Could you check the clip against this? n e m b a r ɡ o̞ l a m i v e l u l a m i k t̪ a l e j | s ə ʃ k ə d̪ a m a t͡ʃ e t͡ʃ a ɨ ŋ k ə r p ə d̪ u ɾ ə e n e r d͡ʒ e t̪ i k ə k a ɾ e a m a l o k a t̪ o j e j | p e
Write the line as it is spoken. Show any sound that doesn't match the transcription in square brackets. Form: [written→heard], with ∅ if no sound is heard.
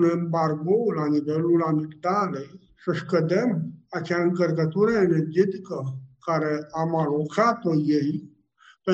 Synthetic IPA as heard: n e m b a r ɡ o̞ l a [m→n] i v e l u l a m i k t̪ a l e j | s ə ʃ k ə d̪ [a→e] m a t͡ʃ e [t͡ʃ→∅] a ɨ ŋ k ə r [p→k] ə [d̪→t̪] u ɾ ə e n e r d͡ʒ e t̪ i k ə k a ɾ e a m a l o k a t̪ o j e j | p e